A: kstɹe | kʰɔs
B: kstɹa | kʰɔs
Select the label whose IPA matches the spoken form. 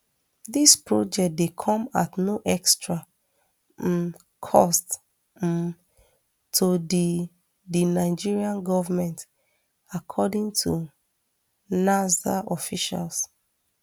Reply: B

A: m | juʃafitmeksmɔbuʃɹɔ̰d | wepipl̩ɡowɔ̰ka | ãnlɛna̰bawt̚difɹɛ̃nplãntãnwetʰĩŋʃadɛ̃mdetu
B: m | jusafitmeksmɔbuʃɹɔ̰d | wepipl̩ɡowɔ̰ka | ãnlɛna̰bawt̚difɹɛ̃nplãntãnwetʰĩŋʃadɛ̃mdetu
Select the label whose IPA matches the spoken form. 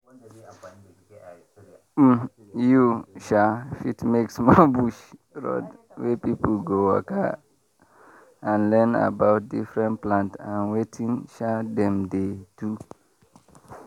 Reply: A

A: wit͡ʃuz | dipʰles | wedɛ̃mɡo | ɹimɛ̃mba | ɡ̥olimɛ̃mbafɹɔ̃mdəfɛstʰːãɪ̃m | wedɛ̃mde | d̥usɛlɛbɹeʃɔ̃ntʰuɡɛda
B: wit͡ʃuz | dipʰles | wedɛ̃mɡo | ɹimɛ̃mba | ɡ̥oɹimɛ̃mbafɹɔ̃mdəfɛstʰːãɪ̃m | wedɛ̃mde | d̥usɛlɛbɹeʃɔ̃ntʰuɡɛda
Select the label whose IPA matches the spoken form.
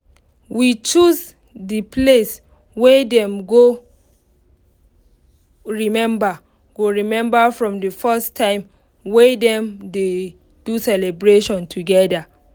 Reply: B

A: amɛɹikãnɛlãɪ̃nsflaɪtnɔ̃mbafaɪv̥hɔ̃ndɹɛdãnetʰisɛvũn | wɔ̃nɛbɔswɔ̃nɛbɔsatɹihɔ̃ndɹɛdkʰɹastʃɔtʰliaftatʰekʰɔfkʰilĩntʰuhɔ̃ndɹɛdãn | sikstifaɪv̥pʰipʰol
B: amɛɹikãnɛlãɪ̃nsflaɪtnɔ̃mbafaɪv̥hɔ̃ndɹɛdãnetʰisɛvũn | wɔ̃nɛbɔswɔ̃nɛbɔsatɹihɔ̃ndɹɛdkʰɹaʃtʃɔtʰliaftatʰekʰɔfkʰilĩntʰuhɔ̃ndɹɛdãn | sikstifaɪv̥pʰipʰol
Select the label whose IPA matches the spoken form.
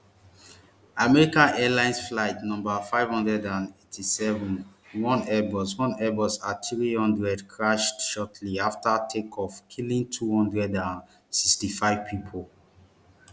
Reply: B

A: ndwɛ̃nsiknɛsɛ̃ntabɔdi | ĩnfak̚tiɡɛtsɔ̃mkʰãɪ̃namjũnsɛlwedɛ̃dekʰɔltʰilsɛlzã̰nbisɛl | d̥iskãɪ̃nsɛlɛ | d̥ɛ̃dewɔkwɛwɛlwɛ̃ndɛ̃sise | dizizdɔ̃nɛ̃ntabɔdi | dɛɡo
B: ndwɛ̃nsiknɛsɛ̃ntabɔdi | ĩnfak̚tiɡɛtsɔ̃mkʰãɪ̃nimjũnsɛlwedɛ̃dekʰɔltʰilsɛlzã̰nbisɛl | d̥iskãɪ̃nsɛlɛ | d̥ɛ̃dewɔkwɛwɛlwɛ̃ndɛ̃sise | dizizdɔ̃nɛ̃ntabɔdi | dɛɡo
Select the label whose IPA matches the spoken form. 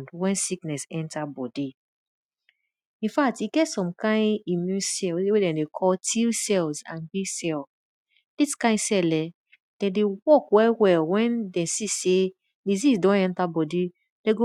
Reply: B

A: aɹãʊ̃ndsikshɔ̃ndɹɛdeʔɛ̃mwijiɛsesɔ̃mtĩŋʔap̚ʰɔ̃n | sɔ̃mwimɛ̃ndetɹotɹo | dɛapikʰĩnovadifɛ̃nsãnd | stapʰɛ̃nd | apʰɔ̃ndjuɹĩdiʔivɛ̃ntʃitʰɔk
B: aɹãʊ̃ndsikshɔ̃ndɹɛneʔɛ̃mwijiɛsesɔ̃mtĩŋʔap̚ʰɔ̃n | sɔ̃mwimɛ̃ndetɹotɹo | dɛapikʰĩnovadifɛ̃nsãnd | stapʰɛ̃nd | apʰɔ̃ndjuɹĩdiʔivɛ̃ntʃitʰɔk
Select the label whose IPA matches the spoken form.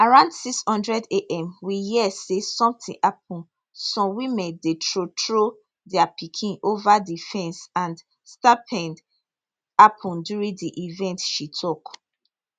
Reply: A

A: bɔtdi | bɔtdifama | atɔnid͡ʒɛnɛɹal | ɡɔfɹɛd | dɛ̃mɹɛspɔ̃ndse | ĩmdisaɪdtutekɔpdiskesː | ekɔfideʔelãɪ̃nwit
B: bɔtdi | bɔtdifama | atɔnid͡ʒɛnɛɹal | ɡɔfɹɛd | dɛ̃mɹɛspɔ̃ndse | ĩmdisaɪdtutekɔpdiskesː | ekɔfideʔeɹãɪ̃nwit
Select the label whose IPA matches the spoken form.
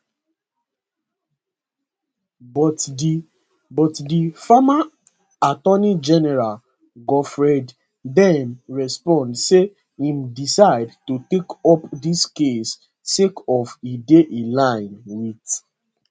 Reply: A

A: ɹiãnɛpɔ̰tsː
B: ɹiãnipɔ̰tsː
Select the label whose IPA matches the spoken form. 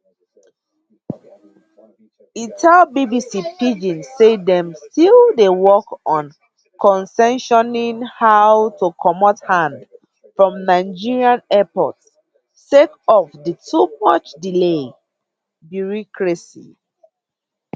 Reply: A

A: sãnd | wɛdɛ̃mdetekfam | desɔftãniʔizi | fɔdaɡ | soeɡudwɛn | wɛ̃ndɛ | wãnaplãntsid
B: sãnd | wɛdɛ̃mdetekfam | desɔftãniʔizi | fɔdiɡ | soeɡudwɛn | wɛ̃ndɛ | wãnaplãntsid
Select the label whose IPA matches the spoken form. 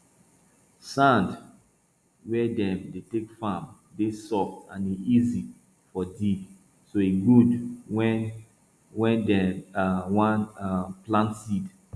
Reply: B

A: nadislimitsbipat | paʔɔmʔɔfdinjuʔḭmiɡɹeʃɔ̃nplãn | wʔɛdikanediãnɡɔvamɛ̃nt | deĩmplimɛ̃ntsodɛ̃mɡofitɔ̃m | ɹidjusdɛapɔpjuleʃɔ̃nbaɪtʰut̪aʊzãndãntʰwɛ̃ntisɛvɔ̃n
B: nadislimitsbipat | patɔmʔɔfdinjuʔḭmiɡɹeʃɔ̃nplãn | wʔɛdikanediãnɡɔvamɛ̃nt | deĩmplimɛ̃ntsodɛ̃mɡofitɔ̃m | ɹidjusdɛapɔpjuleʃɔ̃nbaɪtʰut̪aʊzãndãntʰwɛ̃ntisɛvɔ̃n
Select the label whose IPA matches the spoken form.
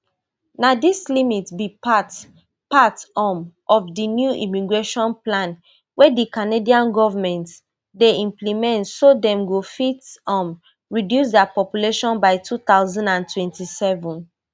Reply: B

